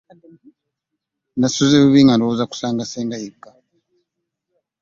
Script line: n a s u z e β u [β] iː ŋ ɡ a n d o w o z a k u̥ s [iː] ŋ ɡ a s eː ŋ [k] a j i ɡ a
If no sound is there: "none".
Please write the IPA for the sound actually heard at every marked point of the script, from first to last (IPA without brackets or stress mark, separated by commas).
β, aː, ɡ